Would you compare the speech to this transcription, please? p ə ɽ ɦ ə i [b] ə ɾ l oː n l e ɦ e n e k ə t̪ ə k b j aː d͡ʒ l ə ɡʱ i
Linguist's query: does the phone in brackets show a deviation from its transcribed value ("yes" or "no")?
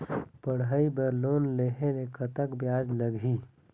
no